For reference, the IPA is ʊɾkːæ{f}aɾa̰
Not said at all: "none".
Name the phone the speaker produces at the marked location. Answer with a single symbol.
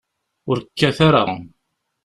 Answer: θ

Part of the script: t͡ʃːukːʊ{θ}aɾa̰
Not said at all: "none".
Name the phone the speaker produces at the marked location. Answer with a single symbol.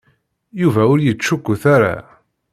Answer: θ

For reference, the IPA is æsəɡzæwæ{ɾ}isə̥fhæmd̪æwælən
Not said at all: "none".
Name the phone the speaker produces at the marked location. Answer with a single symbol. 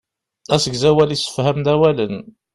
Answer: l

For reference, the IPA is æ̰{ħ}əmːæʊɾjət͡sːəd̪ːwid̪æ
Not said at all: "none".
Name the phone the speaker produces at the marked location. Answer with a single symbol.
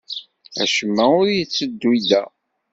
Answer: ʃ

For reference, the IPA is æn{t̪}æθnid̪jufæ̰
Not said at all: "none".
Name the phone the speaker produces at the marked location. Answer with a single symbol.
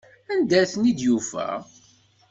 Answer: d̪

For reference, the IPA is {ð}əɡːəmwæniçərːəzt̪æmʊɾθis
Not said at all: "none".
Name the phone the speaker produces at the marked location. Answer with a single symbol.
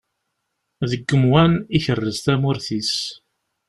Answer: ð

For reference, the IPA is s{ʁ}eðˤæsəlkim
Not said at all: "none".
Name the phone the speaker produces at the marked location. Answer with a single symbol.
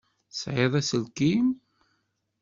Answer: ʕ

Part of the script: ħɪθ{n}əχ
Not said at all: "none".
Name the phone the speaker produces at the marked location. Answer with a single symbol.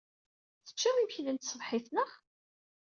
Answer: n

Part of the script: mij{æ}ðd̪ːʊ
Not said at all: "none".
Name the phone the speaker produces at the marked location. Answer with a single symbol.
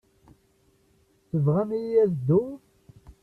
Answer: æ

